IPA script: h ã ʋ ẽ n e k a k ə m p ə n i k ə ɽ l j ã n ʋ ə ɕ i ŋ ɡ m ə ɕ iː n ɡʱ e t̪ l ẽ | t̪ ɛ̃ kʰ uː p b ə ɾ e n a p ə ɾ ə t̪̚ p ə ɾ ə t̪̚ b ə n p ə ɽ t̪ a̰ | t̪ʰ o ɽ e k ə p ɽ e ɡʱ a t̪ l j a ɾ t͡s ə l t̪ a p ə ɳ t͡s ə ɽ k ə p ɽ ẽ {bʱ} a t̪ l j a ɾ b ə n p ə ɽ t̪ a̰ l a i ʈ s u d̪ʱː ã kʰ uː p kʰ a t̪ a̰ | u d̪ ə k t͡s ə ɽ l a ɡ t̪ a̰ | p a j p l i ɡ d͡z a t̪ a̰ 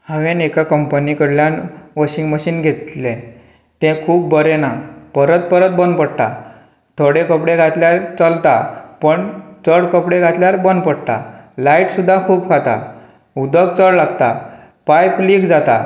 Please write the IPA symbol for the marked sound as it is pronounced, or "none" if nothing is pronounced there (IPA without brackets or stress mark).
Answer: ɡʱ